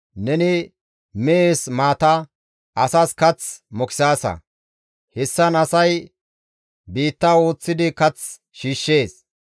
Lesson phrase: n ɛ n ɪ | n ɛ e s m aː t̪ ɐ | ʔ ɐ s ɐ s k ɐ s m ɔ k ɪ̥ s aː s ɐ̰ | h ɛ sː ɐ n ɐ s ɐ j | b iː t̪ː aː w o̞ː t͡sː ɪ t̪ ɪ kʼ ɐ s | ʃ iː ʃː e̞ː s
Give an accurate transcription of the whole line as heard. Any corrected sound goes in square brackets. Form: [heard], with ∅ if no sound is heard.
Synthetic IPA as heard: n ɛ n ɪ | [m] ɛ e s m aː t̪ ɐ | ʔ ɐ s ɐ s k ɐ [t͡s] m ɔ k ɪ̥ s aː s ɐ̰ | h ɛ sː ɐ n ɐ s ɐ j | b iː t̪ː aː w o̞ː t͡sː ɪ [d̪] ɪ [k] ɐ [t͡s] | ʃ iː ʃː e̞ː s